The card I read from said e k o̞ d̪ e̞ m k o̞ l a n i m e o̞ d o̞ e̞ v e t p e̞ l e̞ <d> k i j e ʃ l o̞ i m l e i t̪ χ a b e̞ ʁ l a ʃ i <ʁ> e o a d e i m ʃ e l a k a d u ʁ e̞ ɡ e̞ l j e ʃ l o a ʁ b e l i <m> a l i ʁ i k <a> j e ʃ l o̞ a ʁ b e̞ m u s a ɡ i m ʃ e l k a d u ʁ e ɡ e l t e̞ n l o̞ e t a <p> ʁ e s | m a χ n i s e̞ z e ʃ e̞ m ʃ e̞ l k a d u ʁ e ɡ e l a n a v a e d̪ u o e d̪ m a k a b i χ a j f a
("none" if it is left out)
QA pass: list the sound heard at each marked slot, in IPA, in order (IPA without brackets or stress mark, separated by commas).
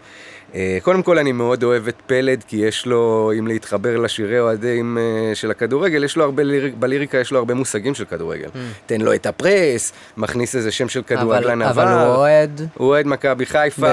d, ʁ, b, a, p